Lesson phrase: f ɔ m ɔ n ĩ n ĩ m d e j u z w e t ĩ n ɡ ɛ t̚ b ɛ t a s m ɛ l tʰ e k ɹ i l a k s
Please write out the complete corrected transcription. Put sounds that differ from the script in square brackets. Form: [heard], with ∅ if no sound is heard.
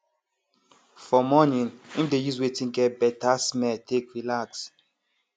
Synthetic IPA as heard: f ɔ m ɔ n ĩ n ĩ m d e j u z w e t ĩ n ɡ ɛ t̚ b ɛ t a s m ɛ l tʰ e k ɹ i l a k s